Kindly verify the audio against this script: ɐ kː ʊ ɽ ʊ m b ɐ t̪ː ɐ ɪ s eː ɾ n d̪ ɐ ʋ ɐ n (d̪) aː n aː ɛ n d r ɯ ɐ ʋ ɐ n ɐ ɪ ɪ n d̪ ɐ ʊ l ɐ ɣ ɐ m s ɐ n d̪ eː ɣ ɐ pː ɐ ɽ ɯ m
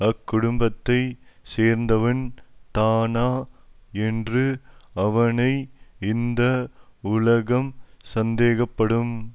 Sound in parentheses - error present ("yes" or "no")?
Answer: yes